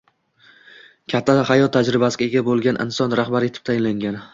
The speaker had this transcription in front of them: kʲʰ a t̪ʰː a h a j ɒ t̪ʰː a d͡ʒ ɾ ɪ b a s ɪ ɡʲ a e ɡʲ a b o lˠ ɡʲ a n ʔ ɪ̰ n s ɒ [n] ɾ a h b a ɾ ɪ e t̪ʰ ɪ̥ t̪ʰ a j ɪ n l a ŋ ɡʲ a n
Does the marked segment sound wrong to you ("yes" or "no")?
no